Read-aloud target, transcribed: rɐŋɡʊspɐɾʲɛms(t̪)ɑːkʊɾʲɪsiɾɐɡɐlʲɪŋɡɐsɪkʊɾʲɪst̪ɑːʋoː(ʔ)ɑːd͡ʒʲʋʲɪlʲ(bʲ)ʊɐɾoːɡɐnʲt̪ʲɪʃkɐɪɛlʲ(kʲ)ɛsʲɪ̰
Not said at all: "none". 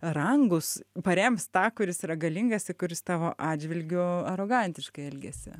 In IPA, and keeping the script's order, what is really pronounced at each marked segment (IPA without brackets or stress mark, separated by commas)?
t̪, ʔ, ɡʲ, ɡʲ